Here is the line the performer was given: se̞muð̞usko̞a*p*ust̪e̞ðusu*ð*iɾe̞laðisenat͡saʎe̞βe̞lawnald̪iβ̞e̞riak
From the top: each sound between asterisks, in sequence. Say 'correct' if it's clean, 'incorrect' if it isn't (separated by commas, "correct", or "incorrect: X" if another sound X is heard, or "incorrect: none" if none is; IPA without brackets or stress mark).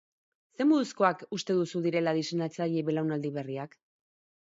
incorrect: k, correct